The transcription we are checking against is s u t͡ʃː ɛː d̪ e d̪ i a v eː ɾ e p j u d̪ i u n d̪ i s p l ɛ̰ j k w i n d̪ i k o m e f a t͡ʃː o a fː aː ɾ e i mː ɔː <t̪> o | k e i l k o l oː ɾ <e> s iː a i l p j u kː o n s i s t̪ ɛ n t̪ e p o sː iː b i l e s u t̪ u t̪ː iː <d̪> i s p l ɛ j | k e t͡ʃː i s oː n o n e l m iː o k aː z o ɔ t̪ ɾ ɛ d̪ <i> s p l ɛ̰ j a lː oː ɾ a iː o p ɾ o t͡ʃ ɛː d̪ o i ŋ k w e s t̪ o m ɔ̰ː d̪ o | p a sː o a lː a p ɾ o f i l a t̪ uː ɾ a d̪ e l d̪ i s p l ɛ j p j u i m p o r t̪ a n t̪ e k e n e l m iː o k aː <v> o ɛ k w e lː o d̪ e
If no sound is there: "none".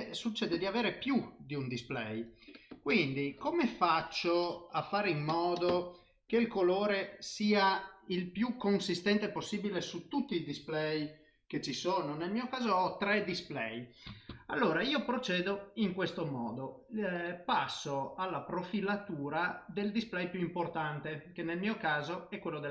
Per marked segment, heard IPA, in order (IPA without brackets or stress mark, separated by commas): d̪, e, d̪, i, z